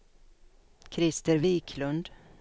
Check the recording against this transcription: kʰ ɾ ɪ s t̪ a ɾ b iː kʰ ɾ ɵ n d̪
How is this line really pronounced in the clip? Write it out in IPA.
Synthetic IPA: kʰ ɾ ɪ s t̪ ə ɾ v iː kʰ l ɵ n d̪